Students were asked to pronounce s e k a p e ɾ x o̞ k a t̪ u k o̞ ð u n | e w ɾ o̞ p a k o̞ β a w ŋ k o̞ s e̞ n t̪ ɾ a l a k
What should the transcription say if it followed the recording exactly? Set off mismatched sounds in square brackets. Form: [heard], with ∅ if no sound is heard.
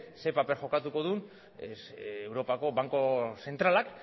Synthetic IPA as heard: s e [p] a p e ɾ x o̞ k a t̪ u k o̞ ð u n | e w ɾ o̞ p a k o̞ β a [∅] ŋ k o̞ s e̞ n t̪ ɾ a l a k

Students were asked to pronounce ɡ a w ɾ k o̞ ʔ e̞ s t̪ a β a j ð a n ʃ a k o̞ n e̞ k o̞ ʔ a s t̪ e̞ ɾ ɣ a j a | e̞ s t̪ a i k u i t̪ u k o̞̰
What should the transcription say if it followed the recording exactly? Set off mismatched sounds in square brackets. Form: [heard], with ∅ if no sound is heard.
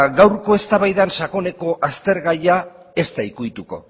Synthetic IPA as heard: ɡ a w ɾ k o̞ [∅] e̞ s t̪ a β a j ð a n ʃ a k o̞ n e̞ k o̞ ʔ a s t̪ e̞ ɾ ɣ a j a | e̞ s t̪ a i k u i t̪ u k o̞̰

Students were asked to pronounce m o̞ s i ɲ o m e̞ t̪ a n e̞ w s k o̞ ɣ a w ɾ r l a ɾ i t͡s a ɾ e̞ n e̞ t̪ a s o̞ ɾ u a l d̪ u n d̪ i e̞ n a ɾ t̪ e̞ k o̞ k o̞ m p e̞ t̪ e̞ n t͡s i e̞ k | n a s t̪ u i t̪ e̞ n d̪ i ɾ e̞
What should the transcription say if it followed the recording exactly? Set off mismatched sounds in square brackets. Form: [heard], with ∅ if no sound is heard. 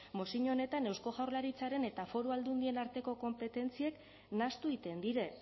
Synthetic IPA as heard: m o̞ s i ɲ o [n] e̞ t̪ a n e̞ w s k o̞ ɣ a w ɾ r l a ɾ i t͡s a ɾ e̞ n e̞ t̪ a [f] o̞ ɾ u a l d̪ u n d̪ i e̞ n a ɾ t̪ e̞ k o̞ k o̞ m p e̞ t̪ e̞ n t͡s i e̞ k | n a s t̪ u i t̪ e̞ n d̪ i ɾ e̞

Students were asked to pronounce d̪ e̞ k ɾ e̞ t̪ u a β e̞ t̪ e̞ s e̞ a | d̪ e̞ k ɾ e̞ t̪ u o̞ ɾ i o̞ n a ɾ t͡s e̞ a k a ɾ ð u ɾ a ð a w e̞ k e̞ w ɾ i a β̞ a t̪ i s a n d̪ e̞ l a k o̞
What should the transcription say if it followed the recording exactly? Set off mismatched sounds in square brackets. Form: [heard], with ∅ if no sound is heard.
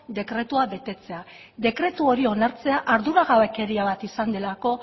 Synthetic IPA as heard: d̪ e̞ k ɾ e̞ t̪ u a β e̞ t̪ e̞ [t͡s] e̞ a | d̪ e̞ k ɾ e̞ t̪ u o̞ ɾ i o̞ n a ɾ t͡s e̞ a [ʔ] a ɾ ð u ɾ a [ɣ] a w e̞ k e̞ [∅] ɾ i a β̞ a t̪ i s a n d̪ e̞ l a k o̞

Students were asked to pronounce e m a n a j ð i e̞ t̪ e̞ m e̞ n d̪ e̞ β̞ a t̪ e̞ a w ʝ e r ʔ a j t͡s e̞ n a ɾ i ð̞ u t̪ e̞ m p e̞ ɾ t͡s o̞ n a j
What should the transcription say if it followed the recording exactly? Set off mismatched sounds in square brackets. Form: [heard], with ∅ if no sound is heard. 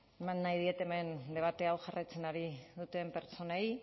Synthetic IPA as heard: e m a [nː] a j ð i e̞ t̪ e̞ m e̞ n d̪ e̞ β̞ a t̪ e̞ a w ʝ [a] r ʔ a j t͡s e̞ n a ɾ i ð̞ u t̪ e̞ m p e̞ ɾ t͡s o̞ n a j

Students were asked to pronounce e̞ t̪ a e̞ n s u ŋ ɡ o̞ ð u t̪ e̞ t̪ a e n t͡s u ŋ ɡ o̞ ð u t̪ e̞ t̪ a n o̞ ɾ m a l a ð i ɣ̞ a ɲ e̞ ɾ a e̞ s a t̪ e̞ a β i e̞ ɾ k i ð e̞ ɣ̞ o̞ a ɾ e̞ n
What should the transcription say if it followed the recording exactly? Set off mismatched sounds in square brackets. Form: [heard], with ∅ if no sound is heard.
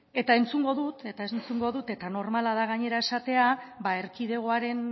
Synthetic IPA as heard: e̞ t̪ a e̞ n [t͡s] u ŋ ɡ o̞ ð u t̪ e̞ t̪ a e n t͡s u ŋ ɡ o̞ ð u t̪ e̞ t̪ a n o̞ ɾ m a l a ð [a] ɣ̞ a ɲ e̞ ɾ a e̞ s a t̪ e̞ a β [a] e̞ ɾ k i ð e̞ ɣ̞ o̞ a ɾ e̞ n

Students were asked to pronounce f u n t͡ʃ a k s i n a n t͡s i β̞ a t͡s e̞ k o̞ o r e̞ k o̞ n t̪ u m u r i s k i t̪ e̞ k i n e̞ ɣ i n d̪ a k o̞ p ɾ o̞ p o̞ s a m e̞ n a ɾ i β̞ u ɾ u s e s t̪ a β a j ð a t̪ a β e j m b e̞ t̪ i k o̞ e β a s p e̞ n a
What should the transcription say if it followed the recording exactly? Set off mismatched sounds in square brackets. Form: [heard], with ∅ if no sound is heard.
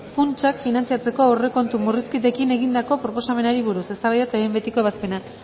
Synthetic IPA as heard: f u n t͡ʃ a k [f] i n a n t͡s i [∅] a t͡s e̞ k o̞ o r e̞ k o̞ n t̪ u m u r i s k i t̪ e̞ k i n e̞ ɣ i n d̪ a k o̞ p ɾ o̞ p o̞ s a m e̞ n a ɾ i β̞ u ɾ u s e s t̪ a β a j ð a t̪ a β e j m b e̞ t̪ i k o̞ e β a s p e̞ n a

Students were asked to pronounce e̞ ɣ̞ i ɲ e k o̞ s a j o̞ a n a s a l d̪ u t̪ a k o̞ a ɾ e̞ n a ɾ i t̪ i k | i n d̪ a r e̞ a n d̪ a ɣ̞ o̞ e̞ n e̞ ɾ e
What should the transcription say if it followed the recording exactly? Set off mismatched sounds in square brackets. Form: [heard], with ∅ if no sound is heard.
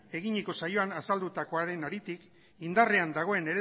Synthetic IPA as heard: e̞ ɣ̞ i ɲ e k o̞ s a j o̞ a n a s a l d̪ u t̪ a k o̞ a ɾ e̞ n a ɾ i t̪ i k | i n d̪ a r e̞ a n d̪ a ɣ̞ o̞ e̞ n e̞ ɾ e

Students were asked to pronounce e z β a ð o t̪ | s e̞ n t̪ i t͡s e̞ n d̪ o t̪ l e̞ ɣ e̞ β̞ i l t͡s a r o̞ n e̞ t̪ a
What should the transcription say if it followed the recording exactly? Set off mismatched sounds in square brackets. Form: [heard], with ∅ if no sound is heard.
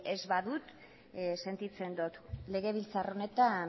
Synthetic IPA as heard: e z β a ð [u] t̪ | s e̞ n t̪ i t͡s e̞ n d̪ o t̪ l e̞ ɣ e̞ β̞ i l t͡s a r o̞ n e̞ t̪ a

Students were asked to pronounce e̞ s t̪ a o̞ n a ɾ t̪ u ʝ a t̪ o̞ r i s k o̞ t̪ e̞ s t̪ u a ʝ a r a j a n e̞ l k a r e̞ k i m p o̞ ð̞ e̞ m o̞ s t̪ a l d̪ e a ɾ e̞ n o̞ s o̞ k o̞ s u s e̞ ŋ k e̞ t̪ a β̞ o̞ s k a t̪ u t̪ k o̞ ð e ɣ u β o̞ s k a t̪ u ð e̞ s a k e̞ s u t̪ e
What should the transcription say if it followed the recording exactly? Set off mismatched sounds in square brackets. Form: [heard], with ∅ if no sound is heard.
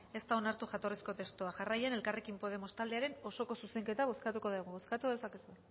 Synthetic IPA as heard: e̞ s t̪ a o̞ n a ɾ t̪ u ʝ a t̪ o̞ r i s k o̞ t̪ e̞ s t̪ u a ʝ a r a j a n e̞ l k a r e̞ k i m p o̞ ð̞ e̞ m o̞ s t̪ a l d̪ e a ɾ e̞ n o̞ s o̞ k o̞ s u s e̞ ŋ k e̞ t̪ a β̞ o̞ s k a t̪ u [∅] k o̞ ð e ɣ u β o̞ s k a t̪ u ð e̞ s a k e̞ s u [∅] e

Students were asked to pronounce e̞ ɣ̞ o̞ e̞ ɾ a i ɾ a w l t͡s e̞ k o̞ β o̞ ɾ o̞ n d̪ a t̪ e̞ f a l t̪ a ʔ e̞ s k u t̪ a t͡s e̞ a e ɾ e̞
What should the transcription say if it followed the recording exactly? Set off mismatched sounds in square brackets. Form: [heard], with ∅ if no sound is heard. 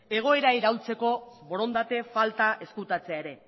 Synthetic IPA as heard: e̞ ɣ̞ o̞ e̞ ɾ a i ɾ a w l t͡s e̞ k o̞ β o̞ ɾ o̞ n d̪ a t̪ e̞ f a l t̪ a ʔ e̞ s k u t̪ a t͡s e̞ a e ɾ e̞

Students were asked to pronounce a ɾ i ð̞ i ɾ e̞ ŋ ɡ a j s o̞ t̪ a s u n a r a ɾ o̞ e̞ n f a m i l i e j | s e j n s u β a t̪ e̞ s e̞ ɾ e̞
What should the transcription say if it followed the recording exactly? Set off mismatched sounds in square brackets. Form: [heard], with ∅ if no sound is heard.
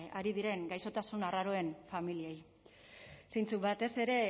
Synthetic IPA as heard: a ɾ i ð̞ i ɾ e̞ ŋ ɡ a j s o̞ t̪ a s u n a r a ɾ o̞ e̞ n f a m i l i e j | s e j n [t͡s] u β a t̪ e̞ s e̞ ɾ e̞

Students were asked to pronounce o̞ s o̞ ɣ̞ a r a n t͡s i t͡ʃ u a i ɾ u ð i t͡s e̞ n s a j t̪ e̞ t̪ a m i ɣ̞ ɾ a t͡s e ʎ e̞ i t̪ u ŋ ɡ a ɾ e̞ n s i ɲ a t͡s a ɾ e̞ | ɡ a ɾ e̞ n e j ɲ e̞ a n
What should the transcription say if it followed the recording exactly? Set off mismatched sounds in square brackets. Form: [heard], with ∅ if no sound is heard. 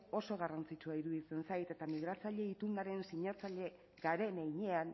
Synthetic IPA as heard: o̞ s o̞ ɣ̞ a r a n t͡s i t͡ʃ u a i ɾ u ð i t͡s e̞ n s a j t̪ e̞ t̪ a m i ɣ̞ ɾ a t͡s [a] ʎ e̞ i t̪ u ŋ ɡ a ɾ e̞ n s i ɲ a t͡s a [ʎ] e̞ | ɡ a ɾ e̞ n e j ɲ e̞ a n

